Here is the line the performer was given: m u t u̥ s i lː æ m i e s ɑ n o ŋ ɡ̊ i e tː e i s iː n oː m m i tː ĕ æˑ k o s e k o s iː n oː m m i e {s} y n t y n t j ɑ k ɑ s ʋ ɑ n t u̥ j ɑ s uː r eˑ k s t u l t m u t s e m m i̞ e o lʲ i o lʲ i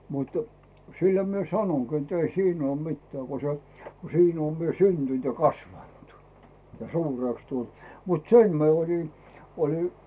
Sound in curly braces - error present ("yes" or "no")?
no